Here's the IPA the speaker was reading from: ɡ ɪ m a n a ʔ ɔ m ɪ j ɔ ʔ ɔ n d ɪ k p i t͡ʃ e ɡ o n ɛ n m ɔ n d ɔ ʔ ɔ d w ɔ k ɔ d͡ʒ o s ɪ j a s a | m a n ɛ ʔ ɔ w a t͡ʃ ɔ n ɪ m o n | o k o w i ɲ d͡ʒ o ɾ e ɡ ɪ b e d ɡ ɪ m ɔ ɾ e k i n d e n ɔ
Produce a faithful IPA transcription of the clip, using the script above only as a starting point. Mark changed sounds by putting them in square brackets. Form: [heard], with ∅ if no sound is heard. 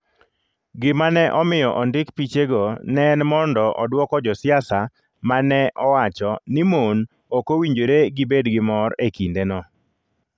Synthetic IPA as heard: ɡ ɪ m a n [ɛ] ʔ ɔ m ɪ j ɔ ʔ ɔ n d ɪ k p i t͡ʃ e ɡ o n ɛ n m ɔ n d ɔ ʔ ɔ d w ɔ k ɔ d͡ʒ [ɔ] s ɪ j a s a | m a n ɛ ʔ ɔ w a t͡ʃ ɔ n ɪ m o n | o k o w i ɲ d͡ʒ o ɾ e ɡ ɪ b e d ɡ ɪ m ɔ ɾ e k i n d e n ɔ

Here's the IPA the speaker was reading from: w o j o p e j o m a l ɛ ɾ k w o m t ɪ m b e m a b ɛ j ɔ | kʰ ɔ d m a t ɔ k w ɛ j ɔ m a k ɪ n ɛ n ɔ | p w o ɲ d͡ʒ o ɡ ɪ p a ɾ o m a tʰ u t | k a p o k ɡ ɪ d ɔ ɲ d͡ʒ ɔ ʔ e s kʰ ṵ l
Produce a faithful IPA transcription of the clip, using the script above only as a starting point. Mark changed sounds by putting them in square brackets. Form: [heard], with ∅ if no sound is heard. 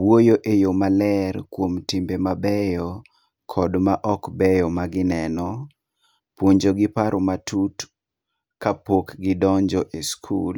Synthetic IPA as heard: w o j o [ʔ] e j o m a l ɛ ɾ k w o m t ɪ m b e m a b ɛ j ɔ | kʰ ɔ d m a [ʔ] ɔ k [b] ɛ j ɔ m a [ɡ] ɪ n ɛ n ɔ | p w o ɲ d͡ʒ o ɡ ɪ p a ɾ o m a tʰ u t | k a p o k ɡ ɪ d ɔ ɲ d͡ʒ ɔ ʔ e s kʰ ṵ l

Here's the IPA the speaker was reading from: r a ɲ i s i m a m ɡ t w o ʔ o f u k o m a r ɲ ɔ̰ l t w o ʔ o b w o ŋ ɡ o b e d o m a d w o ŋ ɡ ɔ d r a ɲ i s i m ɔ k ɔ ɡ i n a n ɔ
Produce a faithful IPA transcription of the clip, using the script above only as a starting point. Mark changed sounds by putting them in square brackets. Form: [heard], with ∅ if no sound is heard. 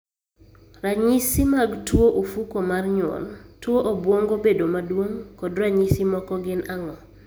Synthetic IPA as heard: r a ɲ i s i m a [∅] ɡ t w o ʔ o f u k o m a r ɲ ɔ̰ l t w o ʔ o b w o ŋ ɡ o b e d o m a d w o ŋ [k] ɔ d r a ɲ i s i m ɔ k ɔ ɡ [ɪ] n a [ŋ] ɔ

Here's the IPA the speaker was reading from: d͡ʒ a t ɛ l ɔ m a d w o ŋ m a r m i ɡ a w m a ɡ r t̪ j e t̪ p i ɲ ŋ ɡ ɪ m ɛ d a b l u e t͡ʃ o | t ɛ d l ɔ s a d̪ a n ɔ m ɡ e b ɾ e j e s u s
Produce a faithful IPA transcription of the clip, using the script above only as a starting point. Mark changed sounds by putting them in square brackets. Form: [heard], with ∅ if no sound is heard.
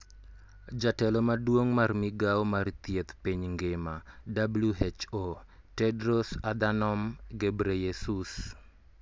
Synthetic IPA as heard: d͡ʒ a t ɛ l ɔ m a d w o ŋ m a r m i ɡ a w m a [∅] r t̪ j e t̪ p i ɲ ŋ ɡ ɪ m [a] d a b l u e t͡ʃ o | t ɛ d [ɾ] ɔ s a d̪ a n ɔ m ɡ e b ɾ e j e s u s

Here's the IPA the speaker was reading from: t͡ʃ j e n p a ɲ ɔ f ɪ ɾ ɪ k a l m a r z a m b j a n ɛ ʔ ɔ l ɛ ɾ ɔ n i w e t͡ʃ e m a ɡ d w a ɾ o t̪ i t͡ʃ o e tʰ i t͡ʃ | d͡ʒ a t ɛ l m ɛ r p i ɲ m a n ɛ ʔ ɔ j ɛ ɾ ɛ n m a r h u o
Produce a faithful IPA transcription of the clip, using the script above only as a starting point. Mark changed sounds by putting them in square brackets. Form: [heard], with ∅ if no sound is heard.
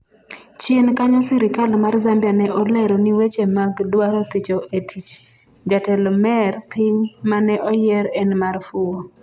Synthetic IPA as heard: t͡ʃ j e n [k] a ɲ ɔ [s] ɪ ɾ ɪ k a l m a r z a m b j a n ɛ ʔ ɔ l ɛ ɾ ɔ n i w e t͡ʃ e m a ɡ d w a ɾ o t̪ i t͡ʃ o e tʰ i t͡ʃ | d͡ʒ a t ɛ l m ɛ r p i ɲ m a n ɛ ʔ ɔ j ɛ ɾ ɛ n m a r [f] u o

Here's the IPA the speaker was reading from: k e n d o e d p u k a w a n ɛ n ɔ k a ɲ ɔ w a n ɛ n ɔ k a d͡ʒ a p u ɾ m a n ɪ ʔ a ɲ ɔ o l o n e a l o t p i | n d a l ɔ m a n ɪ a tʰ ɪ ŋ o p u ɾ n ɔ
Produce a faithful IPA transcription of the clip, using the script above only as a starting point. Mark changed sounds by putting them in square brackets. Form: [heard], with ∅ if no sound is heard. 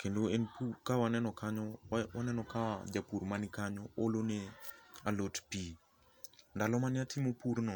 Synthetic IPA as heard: k e n d o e [n] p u k a w a n ɛ n ɔ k a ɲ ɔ w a n ɛ n ɔ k a d͡ʒ a p u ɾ m a n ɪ [k] a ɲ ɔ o l o n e a l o t p i | n d a l ɔ m a n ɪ a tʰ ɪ [m] o p u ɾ n ɔ

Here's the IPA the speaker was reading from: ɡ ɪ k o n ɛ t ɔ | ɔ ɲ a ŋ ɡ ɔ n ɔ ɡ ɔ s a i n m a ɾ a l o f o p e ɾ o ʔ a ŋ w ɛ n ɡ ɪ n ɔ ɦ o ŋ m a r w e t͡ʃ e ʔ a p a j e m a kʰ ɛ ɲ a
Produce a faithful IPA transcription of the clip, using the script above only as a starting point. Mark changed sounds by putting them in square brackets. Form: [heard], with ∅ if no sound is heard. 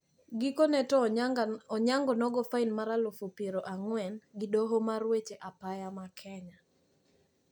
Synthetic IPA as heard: ɡ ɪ k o n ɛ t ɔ | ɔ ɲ a ŋ ɡ ɔ n ɔ ɡ ɔ [f] a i n m a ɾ a l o f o p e ɾ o ʔ a ŋ w ɛ n ɡ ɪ [d] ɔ ɦ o [∅] m a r w e t͡ʃ e ʔ a p a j [a] m a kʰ ɛ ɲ a

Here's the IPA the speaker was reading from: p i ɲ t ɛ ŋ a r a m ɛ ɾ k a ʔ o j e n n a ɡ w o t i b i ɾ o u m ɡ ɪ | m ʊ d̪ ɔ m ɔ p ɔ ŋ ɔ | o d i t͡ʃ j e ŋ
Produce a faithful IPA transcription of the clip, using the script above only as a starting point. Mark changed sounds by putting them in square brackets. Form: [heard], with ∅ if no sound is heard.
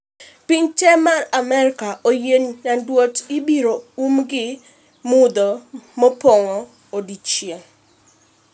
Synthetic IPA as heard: p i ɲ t ɛ [m] a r a m ɛ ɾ k a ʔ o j e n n a [d] w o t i b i ɾ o u m ɡ ɪ | m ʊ d̪ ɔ m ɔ p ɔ ŋ ɔ | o d i t͡ʃ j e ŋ

